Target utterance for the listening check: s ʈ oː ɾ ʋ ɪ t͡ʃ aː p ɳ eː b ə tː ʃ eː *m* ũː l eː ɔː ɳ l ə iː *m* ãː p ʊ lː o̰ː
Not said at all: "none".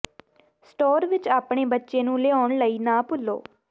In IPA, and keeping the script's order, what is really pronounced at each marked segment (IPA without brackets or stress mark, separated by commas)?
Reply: n, n